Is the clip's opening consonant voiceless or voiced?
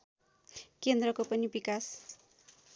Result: voiceless